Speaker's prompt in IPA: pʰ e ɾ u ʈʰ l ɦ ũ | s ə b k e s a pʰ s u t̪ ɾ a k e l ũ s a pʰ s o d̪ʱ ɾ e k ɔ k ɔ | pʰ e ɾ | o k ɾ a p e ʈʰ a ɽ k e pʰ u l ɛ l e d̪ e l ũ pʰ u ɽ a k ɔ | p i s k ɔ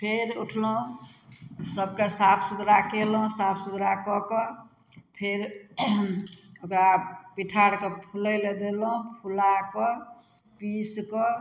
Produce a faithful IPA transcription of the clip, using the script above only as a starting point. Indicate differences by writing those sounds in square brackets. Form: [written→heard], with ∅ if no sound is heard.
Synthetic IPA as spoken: pʰ e ɾ u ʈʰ l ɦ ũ | s ə b k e s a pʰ s u [t̪→d̪] ɾ a k e l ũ s a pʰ s [o→u] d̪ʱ ɾ [e→a] k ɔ k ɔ | pʰ e ɾ | o k ɾ a p [e→i] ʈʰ a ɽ k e pʰ u l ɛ l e d̪ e l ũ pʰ u [ɽ→l] a k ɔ | p i s k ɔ

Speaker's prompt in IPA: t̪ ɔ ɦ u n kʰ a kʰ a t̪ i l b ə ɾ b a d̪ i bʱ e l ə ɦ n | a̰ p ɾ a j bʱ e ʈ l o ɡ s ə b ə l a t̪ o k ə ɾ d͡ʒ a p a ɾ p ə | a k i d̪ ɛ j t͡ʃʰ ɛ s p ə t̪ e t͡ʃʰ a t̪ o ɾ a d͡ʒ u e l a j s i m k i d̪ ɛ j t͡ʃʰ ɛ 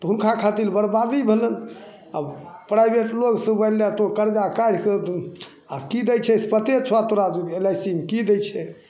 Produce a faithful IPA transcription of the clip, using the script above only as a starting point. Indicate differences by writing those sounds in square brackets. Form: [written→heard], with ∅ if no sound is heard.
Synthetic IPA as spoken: t̪ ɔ ɦ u n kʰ a kʰ a t̪ i l b ə ɾ b a d̪ i bʱ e l ə [ɦ→∅] n | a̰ p ɾ a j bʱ e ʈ l o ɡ s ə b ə l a t̪ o k ə ɾ d͡ʒ a [p→k] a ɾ [p→k] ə | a k i d̪ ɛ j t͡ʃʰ ɛ s p ə t̪ e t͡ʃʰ a t̪ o ɾ a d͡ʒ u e l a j s i m k i d̪ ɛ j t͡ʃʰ ɛ

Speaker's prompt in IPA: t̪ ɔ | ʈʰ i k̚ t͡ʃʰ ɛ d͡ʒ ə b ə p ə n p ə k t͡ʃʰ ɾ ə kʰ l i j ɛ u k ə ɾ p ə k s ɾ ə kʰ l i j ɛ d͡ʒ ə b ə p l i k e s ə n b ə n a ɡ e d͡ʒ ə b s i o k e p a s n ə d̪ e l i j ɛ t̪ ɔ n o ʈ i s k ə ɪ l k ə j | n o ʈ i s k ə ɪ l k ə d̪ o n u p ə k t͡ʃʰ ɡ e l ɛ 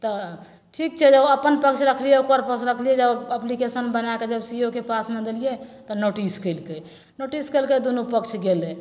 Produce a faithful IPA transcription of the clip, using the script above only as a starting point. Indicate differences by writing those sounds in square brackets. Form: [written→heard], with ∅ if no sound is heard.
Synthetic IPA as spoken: t̪ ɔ | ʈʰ i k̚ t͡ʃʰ ɛ d͡ʒ ə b ə p ə n p ə k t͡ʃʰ ɾ ə kʰ l i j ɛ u k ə ɾ p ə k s ɾ ə kʰ l i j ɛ d͡ʒ ə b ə p l i k e s ə n b ə n a [ɡ→k] e d͡ʒ ə b s i o k e p a s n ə d̪ e l i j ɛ t̪ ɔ n o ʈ i s k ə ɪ l k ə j | n o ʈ i s k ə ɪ l k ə d̪ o n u p ə k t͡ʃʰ ɡ e l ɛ

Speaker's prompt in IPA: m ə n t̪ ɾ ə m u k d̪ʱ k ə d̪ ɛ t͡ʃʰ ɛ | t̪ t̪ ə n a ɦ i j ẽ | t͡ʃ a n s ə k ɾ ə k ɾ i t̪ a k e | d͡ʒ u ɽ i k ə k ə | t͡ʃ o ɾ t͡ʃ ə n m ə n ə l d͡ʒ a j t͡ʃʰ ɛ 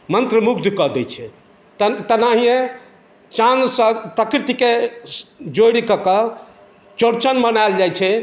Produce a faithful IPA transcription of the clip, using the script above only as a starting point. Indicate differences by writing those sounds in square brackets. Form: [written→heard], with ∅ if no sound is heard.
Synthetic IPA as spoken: m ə n t̪ ɾ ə m u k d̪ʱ k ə d̪ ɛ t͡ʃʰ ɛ | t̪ t̪ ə n a ɦ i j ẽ | t͡ʃ a n s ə [k→p] ɾ ə k ɾ i t̪ [a→i] k e | d͡ʒ [u→o] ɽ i k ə k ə | t͡ʃ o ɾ t͡ʃ ə n m ə n [ə→a] l d͡ʒ a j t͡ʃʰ ɛ

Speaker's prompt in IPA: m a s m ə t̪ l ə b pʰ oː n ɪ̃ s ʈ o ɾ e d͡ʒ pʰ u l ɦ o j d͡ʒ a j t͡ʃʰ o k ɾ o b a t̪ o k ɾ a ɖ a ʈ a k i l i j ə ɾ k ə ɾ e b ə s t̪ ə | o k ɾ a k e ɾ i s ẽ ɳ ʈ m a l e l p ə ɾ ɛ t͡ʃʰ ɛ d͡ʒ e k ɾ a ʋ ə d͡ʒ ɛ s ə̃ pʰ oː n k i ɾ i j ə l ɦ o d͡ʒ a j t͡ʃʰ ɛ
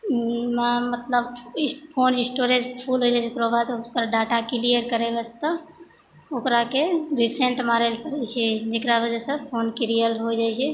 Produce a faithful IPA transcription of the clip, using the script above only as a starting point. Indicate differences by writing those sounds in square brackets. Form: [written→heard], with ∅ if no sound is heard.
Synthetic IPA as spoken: m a [s→∅] m ə t̪ l ə b pʰ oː n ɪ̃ s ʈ o ɾ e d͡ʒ pʰ u l ɦ o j d͡ʒ a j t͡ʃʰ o k ɾ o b a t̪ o k ɾ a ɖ a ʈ a k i l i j ə ɾ k ə ɾ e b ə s t̪ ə | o k ɾ a k e ɾ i s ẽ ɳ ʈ m a [l→ɾ] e l p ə ɾ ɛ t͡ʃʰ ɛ d͡ʒ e k ɾ a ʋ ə d͡ʒ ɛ s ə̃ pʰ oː n k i ɾ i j ə l ɦ o d͡ʒ a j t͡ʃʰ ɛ

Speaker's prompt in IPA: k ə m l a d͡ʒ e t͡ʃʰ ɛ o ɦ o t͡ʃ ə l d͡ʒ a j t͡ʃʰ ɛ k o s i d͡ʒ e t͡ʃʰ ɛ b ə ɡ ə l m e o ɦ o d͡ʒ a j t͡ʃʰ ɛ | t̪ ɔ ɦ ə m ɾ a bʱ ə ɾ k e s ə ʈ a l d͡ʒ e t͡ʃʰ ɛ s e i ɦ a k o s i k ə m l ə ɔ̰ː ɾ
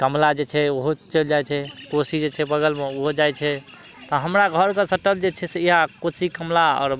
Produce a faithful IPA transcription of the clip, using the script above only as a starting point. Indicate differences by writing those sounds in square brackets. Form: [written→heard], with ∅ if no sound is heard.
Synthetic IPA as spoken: k ə m l a d͡ʒ e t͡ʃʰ ɛ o ɦ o t͡ʃ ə l d͡ʒ a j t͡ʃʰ ɛ k o s i d͡ʒ e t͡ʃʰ ɛ b ə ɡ ə l m e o ɦ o d͡ʒ a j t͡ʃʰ ɛ | t̪ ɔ ɦ ə m ɾ a [bʱ→ɡʱ] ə ɾ k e s ə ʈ [a→ə] l d͡ʒ e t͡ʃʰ ɛ s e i ɦ a k o s i k ə m l [ə→a] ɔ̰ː ɾ

